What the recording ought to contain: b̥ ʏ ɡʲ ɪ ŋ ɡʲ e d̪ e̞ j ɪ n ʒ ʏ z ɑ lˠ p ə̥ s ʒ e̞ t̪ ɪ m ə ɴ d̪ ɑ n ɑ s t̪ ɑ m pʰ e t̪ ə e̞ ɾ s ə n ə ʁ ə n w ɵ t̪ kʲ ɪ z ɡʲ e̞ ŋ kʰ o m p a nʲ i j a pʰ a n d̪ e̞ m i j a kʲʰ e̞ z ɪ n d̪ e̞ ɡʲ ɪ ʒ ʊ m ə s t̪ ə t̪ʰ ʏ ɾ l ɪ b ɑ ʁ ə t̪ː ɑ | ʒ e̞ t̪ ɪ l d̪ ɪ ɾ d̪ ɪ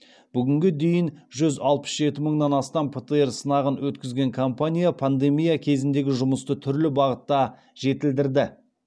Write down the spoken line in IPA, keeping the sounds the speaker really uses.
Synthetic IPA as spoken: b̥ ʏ ɡʲ ɪ ŋ ɡʲ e d̪ e̞ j ɪ n ʒ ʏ z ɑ lˠ p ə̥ s ʒ e̞ t̪ ɪ m ə ɴ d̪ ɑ n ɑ s t̪ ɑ m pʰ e t̪ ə e̞ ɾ s ə n ɑ ʁ ə n w ɵ t̪ kʲ ɪ z ɡʲ e̞ ŋ kʰ o m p a nʲ i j a pʰ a n d̪ e̞ m i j a kʲʰ e̞ z ɪ n d̪ e̞ ɡʲ ɪ ʒ ʊ m ə s t̪ ə t̪ʰ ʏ ɾ l ɪ b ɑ ʁ ə t̪ː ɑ | ʒ e̞ t̪ ɪ l d̪ ɪ ɾ d̪ ɪ

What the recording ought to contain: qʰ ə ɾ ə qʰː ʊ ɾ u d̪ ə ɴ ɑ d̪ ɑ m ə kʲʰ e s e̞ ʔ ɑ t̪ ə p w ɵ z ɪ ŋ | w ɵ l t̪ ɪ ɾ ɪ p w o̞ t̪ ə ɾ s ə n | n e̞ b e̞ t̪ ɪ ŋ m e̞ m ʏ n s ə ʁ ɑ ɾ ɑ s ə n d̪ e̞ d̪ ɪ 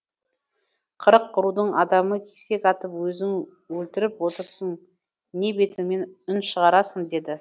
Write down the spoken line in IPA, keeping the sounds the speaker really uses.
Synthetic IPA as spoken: qʰ ə ɾ ə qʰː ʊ ɾ u d̪ ə ɴ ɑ d̪ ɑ m ə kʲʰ e s e̞ k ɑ t̪ ə p w ɵ z ɪ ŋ | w ɵ l t̪ ɪ ɾ ɪ p w o̞ t̪ ə ɾ s ə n | n e̞ b e̞ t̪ ɪ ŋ m e̞ n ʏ n ʃ ə ʁ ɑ ɾ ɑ s ə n d̪ e̞ d̪ ɪ

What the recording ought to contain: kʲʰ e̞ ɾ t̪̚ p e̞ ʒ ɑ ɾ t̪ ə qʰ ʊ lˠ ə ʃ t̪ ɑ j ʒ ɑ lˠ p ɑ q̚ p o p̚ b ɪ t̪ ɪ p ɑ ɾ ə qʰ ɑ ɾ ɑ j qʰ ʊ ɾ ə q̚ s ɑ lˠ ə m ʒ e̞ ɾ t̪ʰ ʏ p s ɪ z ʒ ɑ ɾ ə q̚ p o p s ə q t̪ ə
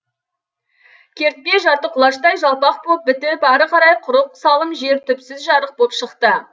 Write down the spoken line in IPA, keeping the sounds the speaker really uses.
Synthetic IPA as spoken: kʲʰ e̞ ɾ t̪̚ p e̞ ʒ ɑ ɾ t̪ ə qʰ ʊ lˠ ɑ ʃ t̪ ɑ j ʒ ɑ lˠ p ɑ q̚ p o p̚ b ɪ t̪ ɪ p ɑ ɾ ə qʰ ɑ ɾ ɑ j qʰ ʊ ɾ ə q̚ s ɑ lˠ ə m ʒ e̞ ɾ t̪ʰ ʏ p s ɪ z ʒ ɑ ɾ ə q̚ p o p ʃ ə q t̪ ə

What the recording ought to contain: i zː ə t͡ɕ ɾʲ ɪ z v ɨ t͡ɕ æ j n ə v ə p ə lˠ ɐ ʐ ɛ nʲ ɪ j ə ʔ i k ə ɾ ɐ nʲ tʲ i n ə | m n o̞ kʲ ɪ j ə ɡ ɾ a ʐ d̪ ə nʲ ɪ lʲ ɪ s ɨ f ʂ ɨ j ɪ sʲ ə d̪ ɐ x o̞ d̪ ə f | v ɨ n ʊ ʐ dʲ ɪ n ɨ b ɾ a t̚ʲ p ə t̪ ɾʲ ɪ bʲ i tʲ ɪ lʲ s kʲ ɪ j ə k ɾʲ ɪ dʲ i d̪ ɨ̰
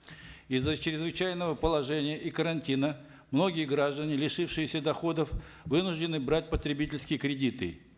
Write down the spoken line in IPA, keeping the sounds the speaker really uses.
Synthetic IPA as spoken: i zː ə t͡ɕ ɾʲ ɪ z v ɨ t͡ɕ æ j n ə v ə p ə lˠ ɐ ʐ ɛ nʲ ɪ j ə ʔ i k ə ɾ ɐ nʲ tʲ i n ə | m n o̞ ɡʲ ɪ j ə ɡ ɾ a ʐ d̪ ə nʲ ɪ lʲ ɪ ʂ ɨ f ʂ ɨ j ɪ sʲ ə d̪ ɐ x o̞ d̪ ə f | v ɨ n ʊ ʐ dʲ ɪ n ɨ b ɾ a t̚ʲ p ə t̪ ɾʲ ɪ bʲ i tʲ ɪ lʲ s kʲ ɪ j ə k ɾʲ ɪ dʲ i t̪ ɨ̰

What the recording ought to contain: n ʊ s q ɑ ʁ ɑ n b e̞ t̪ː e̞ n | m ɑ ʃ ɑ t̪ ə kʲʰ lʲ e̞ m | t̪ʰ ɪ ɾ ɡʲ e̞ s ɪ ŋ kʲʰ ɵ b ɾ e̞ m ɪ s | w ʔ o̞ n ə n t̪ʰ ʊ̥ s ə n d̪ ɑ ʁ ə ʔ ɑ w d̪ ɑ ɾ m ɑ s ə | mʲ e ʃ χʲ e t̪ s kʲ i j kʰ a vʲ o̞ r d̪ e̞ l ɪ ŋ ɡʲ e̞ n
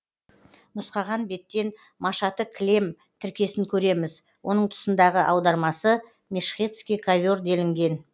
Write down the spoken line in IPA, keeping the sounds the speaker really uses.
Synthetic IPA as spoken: n ʊ s q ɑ ʁ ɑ n b e̞ t̪ː e̞ n | m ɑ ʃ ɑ t̪ ə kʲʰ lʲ e̞ m | t̪ʰ ɪ ɾ kʲ e̞ s ɪ ŋ kʲʰ ɵ ɾ e̞ m ɪ z | w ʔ o̞ n ə ɴ t̪ʰ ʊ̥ s ə n d̪ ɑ ʁ ə ʔ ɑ w d̪ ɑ ɾ m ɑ s ə | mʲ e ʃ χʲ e t̪ s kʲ i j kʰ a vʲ o̞ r d̪ e̞ l ɪ ŋ ɡʲ e̞ n

